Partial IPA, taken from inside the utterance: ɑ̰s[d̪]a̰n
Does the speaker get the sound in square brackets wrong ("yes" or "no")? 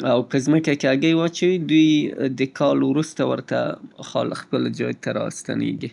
yes